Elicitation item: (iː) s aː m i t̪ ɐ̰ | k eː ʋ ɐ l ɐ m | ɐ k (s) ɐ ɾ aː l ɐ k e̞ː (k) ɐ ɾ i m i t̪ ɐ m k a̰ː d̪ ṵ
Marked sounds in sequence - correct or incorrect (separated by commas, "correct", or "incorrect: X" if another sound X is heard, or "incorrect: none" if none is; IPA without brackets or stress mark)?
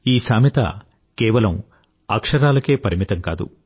correct, incorrect: ʂ, incorrect: p